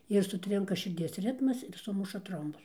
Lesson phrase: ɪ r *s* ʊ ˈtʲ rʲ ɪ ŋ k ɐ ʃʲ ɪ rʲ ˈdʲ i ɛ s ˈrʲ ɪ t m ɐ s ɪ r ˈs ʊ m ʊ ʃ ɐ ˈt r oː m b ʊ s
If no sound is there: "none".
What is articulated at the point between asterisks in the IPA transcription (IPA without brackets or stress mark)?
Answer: s